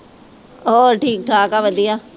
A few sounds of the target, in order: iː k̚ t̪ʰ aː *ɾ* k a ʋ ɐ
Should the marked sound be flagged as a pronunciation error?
yes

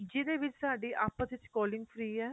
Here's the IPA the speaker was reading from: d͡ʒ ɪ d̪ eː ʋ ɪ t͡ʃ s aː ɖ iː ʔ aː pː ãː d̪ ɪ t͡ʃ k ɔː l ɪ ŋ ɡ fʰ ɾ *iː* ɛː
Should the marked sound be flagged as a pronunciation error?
no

